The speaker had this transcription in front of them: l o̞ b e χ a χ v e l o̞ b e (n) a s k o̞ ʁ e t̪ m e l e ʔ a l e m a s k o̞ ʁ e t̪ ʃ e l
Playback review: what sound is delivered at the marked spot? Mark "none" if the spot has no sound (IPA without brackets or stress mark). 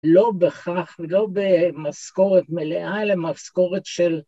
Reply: m